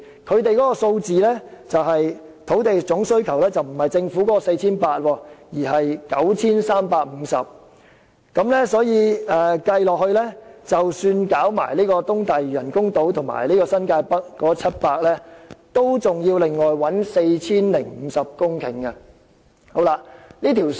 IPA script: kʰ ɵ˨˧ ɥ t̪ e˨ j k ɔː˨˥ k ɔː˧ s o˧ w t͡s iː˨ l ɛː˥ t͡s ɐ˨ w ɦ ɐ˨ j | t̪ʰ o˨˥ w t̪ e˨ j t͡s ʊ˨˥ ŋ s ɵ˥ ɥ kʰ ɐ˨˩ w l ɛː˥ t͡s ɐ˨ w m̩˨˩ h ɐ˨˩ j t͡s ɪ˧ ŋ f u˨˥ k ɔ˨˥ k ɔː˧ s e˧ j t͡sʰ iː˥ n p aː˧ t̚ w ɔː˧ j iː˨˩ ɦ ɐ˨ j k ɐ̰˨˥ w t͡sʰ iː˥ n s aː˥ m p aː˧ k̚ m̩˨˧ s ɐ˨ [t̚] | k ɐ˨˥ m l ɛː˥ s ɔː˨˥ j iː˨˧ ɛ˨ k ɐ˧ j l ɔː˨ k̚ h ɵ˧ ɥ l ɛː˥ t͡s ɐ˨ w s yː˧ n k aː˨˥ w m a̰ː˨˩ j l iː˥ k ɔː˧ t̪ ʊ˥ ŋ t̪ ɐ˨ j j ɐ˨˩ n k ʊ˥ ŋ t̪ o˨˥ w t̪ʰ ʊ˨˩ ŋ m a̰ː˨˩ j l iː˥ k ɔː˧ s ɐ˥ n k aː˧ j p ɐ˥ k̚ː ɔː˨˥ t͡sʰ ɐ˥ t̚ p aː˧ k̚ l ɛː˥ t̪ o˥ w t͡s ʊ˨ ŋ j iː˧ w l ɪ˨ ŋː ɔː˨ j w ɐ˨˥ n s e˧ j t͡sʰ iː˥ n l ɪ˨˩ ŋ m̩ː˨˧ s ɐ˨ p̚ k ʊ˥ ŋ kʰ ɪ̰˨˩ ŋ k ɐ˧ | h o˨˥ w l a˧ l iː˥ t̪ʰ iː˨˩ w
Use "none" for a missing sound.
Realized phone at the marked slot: p̚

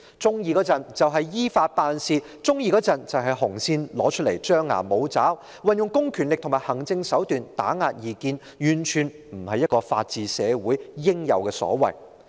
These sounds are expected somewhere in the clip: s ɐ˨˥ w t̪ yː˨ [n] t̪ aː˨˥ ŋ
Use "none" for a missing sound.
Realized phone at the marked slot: n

